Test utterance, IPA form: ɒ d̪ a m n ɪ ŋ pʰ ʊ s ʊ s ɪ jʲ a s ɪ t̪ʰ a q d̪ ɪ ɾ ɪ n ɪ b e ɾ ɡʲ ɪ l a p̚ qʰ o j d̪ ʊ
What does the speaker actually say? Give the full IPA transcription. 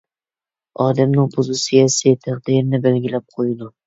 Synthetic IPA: ɒ d̪ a m n ɪ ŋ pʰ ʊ z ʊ s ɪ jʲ a s ɪ t̪ʰ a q d̪ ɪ ɾ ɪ n ɪ b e l ɡʲ ɪ l a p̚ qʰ o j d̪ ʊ